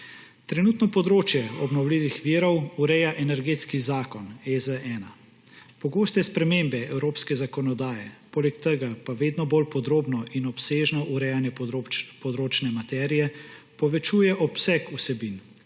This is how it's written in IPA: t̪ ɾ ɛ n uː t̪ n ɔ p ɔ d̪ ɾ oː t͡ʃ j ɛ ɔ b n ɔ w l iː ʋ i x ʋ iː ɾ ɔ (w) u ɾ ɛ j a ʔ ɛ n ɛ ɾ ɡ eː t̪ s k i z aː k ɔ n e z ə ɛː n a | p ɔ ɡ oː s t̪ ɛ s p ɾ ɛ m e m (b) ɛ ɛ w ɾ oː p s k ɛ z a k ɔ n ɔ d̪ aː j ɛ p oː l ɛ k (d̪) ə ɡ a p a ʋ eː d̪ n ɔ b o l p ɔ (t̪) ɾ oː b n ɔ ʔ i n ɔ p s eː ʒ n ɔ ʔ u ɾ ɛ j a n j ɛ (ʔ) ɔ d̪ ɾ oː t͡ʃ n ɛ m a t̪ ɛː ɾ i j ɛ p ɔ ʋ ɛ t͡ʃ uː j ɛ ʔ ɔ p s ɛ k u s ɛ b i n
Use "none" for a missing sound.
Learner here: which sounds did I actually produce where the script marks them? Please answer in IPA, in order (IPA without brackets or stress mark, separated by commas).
w, b, t̪, d̪, p